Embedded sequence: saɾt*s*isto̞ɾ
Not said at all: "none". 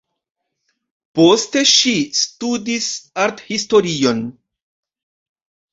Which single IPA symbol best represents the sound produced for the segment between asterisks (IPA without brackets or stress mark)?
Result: h